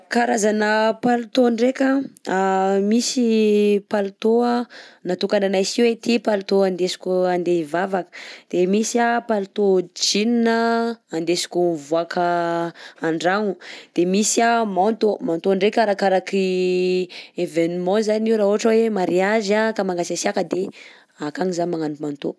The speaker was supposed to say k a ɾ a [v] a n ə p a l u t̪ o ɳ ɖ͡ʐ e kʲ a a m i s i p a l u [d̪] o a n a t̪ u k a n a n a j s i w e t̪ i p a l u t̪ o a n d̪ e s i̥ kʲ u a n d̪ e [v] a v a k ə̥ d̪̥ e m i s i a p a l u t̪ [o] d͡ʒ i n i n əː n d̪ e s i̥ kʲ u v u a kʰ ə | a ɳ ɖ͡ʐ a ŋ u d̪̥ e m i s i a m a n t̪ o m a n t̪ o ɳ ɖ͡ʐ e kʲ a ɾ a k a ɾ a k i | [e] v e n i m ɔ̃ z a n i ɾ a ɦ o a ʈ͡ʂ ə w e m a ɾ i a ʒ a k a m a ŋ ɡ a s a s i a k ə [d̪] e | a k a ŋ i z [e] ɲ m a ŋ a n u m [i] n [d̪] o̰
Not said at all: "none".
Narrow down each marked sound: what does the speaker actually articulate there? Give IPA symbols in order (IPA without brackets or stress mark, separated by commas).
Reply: z, t̪, v, o, e, d̪, a, a, t̪